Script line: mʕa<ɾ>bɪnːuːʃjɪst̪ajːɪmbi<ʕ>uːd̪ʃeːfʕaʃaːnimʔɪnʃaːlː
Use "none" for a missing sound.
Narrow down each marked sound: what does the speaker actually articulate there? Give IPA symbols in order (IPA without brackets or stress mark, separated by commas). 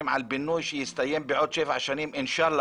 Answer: l, ʕ